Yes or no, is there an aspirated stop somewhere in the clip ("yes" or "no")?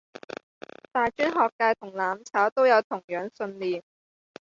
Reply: yes